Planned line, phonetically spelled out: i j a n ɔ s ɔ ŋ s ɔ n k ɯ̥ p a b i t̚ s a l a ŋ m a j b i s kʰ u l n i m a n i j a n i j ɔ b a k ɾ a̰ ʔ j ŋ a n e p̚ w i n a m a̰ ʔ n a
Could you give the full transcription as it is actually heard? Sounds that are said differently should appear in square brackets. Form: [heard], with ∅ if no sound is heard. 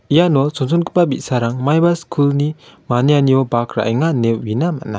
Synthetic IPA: i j a n ɔ s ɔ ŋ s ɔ n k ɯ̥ p a b i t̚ s a [ɾ] a ŋ m a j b [a] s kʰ u l n i m a n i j a n i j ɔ b a k ɾ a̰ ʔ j ŋ a n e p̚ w i n a m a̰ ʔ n a